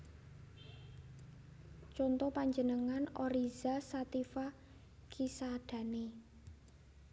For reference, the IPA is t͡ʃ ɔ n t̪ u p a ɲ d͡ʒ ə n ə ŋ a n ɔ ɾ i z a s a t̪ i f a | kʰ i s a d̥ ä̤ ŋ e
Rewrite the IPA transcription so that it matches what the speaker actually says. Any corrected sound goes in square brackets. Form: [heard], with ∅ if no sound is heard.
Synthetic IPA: t͡ʃ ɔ n t̪ [ɔ] p a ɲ d͡ʒ ə n ə ŋ a n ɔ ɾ i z a s a t̪ i f a | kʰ i s a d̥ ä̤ [n] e